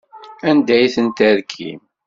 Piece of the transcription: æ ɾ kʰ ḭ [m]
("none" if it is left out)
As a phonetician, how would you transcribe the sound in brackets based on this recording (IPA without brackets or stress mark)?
m